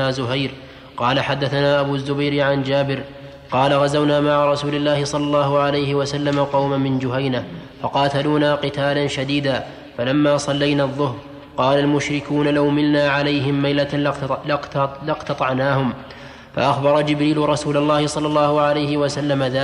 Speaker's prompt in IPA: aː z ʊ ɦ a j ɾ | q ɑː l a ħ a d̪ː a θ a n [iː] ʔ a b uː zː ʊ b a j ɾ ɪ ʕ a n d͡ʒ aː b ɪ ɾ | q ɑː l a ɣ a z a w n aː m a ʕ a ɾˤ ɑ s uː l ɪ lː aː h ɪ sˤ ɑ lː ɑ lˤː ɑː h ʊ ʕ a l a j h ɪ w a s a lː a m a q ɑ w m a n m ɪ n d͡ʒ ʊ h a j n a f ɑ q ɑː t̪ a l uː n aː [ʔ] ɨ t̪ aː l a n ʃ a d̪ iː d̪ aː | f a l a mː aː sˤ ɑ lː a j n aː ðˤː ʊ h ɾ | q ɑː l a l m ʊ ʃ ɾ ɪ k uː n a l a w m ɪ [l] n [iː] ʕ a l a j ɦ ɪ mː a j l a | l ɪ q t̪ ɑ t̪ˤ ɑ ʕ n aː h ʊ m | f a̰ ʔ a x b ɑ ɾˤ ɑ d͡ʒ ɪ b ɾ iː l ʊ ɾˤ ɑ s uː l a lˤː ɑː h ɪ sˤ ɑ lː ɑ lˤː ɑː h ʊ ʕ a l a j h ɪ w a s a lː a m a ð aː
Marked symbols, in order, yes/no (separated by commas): no, no, yes, no